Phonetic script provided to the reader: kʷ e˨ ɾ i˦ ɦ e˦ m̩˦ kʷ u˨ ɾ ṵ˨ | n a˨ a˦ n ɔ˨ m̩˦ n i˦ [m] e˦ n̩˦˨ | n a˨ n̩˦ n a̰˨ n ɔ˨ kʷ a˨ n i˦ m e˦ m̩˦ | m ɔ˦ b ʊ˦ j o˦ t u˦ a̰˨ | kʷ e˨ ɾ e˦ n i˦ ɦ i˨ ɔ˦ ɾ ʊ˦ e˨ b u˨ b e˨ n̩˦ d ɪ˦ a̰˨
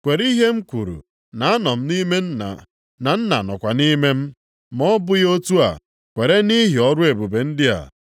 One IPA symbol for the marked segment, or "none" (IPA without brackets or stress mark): m